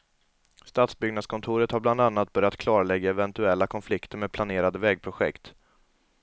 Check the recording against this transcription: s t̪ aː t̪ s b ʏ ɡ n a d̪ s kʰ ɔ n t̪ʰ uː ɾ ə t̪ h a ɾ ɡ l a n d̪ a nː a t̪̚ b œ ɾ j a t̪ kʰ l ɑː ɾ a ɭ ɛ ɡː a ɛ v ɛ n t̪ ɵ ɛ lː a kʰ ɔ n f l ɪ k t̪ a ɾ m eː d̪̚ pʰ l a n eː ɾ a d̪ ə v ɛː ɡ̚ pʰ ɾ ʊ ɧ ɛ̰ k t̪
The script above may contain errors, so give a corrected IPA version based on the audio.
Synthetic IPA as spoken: s t̪ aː t̪ s b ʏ ɡ n a d̪ s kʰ ɔ n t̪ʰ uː ɾ ə t̪ h a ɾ b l a n d̪ a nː a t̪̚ b œ ɾ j a t̪ kʰ l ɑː ɾ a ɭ ɛ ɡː a ɛ v ɛ n t̪ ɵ ɛ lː a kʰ ɔ n f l ɪ k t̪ ə ɾ m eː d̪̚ pʰ l a n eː ɾ a d̪ ə v ɛː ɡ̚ pʰ ɾ ʊ ɧ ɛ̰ k t̪